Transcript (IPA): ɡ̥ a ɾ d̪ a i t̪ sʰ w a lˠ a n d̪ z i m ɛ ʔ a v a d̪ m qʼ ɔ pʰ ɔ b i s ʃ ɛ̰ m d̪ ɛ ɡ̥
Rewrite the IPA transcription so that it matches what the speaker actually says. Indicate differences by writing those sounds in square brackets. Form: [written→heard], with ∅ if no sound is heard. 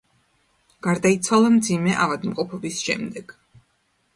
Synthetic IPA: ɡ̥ a ɾ d̪ a i t̪ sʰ w a lˠ a [n→m] d̪ z i m ɛ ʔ a v a d̪ m qʼ ɔ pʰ ɔ b i s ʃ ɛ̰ m d̪ ɛ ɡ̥